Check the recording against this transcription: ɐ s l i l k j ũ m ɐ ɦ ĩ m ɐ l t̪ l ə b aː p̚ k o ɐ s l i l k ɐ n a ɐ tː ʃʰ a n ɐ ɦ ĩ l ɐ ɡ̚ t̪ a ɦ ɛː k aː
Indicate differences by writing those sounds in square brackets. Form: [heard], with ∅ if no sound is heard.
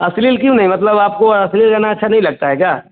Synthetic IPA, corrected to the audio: ɐ s l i l k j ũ [n] ɐ ɦ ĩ m ɐ [∅] t̪ l ə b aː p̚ k o ɐ s l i l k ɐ n a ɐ tː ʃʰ a n ɐ ɦ ĩ l ɐ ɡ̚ t̪ a ɦ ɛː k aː